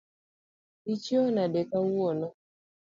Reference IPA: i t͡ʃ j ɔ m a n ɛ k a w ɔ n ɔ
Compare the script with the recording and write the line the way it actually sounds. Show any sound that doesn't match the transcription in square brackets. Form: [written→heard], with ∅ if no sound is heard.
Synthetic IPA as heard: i t͡ʃ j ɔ [m→n] a [n→d] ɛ k a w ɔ n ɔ

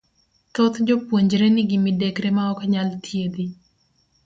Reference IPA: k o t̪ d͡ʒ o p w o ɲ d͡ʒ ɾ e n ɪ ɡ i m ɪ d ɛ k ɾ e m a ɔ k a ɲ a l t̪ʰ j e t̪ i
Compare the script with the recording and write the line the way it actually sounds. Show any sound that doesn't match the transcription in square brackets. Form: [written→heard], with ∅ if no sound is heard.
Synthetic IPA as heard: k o t̪ d͡ʒ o p w o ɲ d͡ʒ ɾ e n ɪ ɡ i m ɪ d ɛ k ɾ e m a ɔ k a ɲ a l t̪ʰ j e [t̪→d̪] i

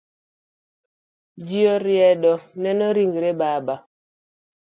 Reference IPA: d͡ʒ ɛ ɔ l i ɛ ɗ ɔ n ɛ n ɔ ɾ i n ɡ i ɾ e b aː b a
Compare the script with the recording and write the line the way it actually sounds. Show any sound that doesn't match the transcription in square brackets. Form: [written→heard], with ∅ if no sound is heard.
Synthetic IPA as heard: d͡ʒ [ɛ→i] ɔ [l→ɾ] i ɛ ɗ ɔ n ɛ n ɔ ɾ i [n→ŋ] ɡ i ɾ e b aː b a

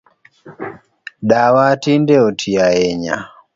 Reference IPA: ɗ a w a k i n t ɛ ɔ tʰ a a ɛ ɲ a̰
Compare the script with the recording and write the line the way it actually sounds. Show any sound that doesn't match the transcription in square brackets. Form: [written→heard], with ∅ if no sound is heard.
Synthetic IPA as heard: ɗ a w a [k→t] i n [t→d] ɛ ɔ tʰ [a→i] a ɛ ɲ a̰

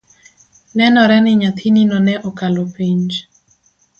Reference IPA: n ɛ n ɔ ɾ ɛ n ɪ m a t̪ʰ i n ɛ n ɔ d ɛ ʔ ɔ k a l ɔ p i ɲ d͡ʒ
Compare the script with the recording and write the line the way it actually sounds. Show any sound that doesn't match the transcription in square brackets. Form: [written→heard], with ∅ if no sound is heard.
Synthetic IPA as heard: n ɛ n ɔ ɾ ɛ n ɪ [m→ɲ] a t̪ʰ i n [ɛ→i] n ɔ [d→n] ɛ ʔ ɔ k a l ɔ p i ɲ d͡ʒ

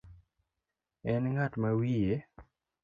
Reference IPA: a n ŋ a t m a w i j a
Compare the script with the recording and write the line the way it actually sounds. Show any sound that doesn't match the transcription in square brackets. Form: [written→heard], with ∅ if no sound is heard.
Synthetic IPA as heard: [a→ɛ] n ŋ a t m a w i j [a→e]

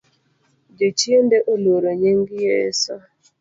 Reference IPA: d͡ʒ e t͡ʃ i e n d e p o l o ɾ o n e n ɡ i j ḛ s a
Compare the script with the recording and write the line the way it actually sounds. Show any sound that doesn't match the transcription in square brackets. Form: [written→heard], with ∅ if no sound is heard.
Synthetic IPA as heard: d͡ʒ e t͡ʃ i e n d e [p→ʔ] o l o ɾ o [n→ɲ] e [n→ŋ] ɡ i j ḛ s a

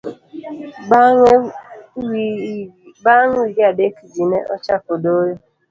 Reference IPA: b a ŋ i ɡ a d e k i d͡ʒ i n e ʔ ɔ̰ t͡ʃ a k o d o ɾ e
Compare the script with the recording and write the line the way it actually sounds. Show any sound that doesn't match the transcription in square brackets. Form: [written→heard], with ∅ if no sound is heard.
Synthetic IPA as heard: b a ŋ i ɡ a d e k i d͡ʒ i n e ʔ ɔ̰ t͡ʃ a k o d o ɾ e

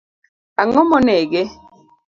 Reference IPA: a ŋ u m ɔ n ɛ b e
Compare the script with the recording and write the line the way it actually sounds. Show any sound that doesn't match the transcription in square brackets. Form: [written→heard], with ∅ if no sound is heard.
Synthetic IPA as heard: a ŋ [u→ɔ] m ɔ n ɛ [b→ɡ] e

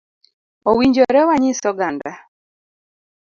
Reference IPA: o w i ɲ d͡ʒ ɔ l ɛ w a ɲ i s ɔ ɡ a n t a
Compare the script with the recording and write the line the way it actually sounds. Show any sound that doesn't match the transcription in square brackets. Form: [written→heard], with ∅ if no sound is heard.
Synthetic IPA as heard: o w i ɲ d͡ʒ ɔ [l→ɾ] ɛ w a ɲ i s ɔ ɡ a n [t→d] a

